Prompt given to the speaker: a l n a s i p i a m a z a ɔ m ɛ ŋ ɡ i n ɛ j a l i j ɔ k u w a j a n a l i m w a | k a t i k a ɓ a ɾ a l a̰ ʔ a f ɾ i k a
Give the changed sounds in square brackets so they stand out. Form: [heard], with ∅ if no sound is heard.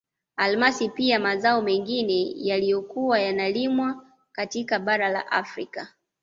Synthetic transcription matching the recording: a l [m] a s i p i a m a z a ɔ m ɛ ŋ ɡ i n ɛ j a l i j ɔ k u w a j a n a l i m w a | k a t i k a ɓ a ɾ a l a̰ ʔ a f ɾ i k a